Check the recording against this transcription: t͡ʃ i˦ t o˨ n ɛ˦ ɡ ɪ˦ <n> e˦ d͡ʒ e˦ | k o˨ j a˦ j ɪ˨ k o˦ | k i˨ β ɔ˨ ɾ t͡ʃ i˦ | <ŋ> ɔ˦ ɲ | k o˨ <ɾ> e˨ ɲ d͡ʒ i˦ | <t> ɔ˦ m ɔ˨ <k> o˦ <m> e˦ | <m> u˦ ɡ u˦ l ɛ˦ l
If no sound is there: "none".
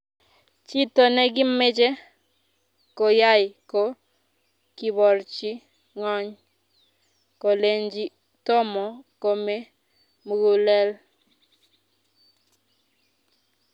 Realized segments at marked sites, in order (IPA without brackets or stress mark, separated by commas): m, ŋ, l, t, k, m, m